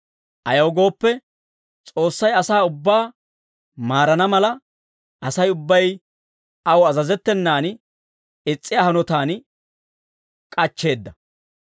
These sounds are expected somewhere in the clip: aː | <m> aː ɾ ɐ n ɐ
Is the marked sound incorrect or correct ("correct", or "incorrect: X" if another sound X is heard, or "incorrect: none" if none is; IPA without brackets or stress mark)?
correct